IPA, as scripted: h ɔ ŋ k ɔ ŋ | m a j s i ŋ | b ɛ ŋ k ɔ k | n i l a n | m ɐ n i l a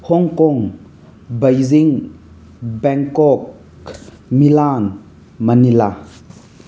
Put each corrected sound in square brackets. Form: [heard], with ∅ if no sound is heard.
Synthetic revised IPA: h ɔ ŋ k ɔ ŋ | [b] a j [z] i ŋ | b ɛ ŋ k ɔ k | [m] i l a n | m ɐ n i l a

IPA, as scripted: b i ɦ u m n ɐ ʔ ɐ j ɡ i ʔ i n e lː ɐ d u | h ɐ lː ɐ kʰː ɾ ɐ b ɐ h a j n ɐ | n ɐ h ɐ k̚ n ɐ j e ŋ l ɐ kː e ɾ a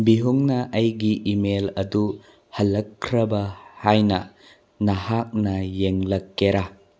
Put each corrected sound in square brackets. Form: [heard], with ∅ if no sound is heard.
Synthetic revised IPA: b i ɦ u [ŋ] n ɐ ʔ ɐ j ɡ i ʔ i [m] e [l] ɐ d u | h ɐ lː ɐ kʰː ɾ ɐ b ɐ h a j n ɐ | n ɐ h [a] k̚ n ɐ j e ŋ l ɐ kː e ɾ a

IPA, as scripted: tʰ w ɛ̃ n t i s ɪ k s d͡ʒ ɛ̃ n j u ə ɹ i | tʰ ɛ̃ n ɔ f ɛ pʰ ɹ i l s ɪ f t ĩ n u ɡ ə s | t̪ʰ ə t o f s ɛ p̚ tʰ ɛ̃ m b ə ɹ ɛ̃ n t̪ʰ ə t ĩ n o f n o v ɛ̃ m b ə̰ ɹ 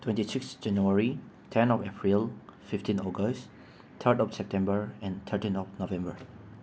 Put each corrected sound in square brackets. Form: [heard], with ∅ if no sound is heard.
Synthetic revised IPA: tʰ w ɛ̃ n t i s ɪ k s d͡ʒ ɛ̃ n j u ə ɹ i | tʰ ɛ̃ n ɔ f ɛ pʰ ɹ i l [f] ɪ f t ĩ n [ɔ] ɡ ə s | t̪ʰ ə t [ɔ] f s ɛ p̚ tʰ ɛ̃ m b ə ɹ ɛ̃ n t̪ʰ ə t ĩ n [ɔ] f n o v ɛ̃ m b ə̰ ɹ

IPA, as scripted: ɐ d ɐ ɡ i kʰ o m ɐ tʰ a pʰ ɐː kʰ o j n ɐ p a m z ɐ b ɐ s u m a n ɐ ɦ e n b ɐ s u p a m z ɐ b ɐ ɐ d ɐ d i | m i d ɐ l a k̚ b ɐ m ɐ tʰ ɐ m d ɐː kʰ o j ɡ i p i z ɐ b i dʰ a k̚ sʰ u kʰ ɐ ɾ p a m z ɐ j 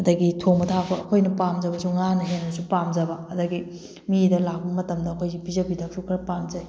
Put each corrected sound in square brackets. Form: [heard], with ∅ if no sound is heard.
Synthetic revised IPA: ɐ d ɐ ɡ i [tʰ] o m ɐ tʰ a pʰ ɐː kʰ o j n ɐ p a m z ɐ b ɐ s u [ŋ] a n ɐ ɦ e n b ɐ s u p a m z ɐ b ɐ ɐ d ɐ [ɡ] i | m i d ɐ l a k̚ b ɐ m ɐ [t] ɐ m d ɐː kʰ o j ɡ i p i z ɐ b i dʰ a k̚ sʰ u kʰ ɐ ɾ p a m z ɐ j

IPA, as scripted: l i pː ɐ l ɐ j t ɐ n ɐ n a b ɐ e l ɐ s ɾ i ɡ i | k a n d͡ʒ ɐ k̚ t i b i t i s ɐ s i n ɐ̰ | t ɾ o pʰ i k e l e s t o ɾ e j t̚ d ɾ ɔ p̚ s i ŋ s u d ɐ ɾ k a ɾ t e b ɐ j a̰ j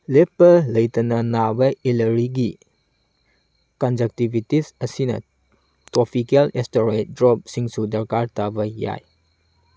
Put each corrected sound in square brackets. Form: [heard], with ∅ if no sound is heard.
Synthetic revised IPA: l [e] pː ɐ l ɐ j t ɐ n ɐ n a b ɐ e l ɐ [∅] ɾ i ɡ i | k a n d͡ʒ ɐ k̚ t i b i t i s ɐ s i n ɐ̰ | t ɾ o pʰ i k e l e s t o ɾ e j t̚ d ɾ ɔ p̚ s i ŋ s u d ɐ ɾ k a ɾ t [a] b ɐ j a̰ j

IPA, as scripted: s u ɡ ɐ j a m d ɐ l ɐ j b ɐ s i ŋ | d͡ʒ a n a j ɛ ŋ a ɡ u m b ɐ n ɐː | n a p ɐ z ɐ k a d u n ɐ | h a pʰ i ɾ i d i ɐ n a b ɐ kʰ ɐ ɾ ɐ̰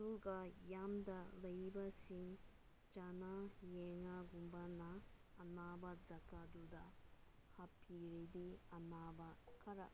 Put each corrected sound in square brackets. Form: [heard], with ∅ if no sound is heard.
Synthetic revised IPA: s u ɡ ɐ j a m d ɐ l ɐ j b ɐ s i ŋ | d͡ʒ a n a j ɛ ŋ a ɡ u m b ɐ n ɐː | n a [b] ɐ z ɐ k a d u [d] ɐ | h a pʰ i ɾ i d i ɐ n a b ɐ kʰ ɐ ɾ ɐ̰

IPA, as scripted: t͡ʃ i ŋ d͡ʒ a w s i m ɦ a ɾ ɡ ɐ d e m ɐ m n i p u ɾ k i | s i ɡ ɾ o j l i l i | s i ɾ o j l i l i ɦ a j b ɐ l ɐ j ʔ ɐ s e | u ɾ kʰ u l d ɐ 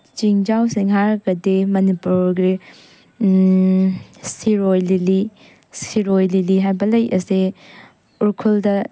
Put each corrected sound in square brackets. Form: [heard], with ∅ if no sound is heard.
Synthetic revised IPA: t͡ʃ i ŋ d͡ʒ a w s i [ŋ] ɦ a ɾ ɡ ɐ d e m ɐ [∅] n i p u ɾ [ɡ] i | s i [∅] ɾ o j l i l i | s i ɾ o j l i l i ɦ a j b ɐ l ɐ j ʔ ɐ s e | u ɾ kʰ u l d ɐ

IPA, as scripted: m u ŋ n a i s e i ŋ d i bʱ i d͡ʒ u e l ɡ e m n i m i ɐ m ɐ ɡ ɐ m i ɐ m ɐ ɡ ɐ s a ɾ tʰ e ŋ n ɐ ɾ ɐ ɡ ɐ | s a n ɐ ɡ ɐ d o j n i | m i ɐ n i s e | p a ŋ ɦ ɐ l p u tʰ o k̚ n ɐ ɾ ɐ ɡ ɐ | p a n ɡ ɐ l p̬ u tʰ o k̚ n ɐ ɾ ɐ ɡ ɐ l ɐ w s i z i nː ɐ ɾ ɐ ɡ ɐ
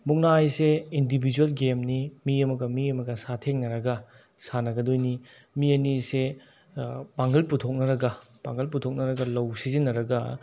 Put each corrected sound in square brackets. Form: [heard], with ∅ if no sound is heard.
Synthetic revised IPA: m u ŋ n a [j] s e i [n] d i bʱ i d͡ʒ u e l ɡ e m n i m i ɐ m ɐ ɡ ɐ m i ɐ m ɐ ɡ ɐ s a [∅] tʰ e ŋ n ɐ ɾ ɐ ɡ ɐ | s a n ɐ ɡ ɐ d o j n i | m i ɐ n i s e | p a ŋ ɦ ɐ l p u tʰ o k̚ n ɐ ɾ ɐ ɡ ɐ | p a [ŋ] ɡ ɐ l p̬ u tʰ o k̚ n ɐ ɾ ɐ ɡ ɐ l ɐ w s i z i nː ɐ ɾ ɐ ɡ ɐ

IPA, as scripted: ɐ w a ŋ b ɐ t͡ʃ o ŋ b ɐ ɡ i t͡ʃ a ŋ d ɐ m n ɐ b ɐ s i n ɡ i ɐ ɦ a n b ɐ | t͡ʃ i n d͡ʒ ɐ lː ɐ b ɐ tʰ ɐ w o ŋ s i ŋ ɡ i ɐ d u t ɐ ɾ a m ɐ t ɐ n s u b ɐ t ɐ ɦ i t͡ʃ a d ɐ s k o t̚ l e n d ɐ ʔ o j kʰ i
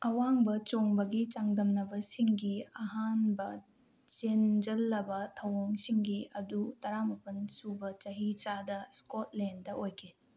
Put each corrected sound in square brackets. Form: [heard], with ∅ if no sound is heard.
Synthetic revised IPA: ɐ w a ŋ b ɐ t͡ʃ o ŋ b ɐ ɡ i t͡ʃ a ŋ d ɐ m n ɐ b ɐ s i [ŋ] ɡ i ɐ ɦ a n b ɐ | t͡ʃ [e] n d͡ʒ ɐ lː ɐ b ɐ tʰ ɐ w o ŋ s i ŋ ɡ i ɐ d u t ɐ ɾ a m ɐ [p] ɐ n s u b ɐ [t͡ʃ] ɐ ɦ i t͡ʃ a d ɐ s k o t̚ l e n d ɐ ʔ o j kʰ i

